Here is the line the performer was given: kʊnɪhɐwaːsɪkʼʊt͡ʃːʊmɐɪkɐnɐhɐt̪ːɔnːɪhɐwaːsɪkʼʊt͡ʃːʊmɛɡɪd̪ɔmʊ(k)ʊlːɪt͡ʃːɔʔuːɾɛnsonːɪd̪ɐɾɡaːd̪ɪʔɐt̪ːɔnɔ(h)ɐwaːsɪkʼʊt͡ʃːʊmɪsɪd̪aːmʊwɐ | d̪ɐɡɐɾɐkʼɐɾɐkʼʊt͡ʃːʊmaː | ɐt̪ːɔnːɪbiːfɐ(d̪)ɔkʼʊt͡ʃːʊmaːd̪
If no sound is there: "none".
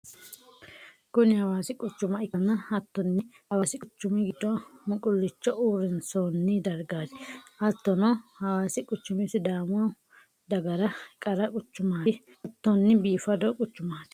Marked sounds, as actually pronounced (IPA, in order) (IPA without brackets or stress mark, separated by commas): kʼ, h, d̪